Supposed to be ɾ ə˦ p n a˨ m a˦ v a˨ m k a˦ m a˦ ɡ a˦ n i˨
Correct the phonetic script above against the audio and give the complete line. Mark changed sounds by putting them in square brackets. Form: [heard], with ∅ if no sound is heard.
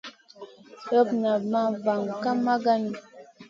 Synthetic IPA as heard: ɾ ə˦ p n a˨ m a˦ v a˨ [ŋ] k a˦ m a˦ ɡ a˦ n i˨